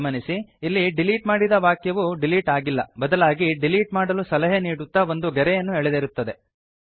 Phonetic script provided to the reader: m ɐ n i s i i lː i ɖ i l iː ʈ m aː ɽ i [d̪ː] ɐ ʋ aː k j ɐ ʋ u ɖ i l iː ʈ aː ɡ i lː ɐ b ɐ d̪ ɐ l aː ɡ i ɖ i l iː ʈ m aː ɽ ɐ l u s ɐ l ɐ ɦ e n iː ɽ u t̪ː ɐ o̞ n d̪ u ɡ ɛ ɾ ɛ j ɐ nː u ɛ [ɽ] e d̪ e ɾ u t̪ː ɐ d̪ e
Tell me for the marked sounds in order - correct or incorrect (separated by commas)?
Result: incorrect, incorrect